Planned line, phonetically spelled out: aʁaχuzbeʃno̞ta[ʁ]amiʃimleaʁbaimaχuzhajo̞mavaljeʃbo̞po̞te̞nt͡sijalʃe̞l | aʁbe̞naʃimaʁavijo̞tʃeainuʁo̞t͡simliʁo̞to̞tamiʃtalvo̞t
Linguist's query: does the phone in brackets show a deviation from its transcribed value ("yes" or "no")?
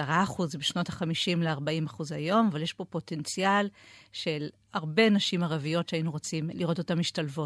yes